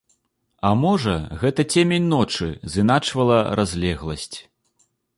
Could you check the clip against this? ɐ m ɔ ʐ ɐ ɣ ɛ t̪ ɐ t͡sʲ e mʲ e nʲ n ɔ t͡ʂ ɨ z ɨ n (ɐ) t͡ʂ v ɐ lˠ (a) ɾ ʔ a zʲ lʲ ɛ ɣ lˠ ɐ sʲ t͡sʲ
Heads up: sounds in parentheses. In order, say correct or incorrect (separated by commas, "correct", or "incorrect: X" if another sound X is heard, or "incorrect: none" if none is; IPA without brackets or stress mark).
incorrect: a, incorrect: ɐ